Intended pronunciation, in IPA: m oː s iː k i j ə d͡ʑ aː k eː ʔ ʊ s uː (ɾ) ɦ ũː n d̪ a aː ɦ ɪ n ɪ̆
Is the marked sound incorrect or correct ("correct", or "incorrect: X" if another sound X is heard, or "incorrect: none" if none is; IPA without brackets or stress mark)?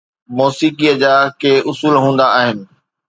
incorrect: l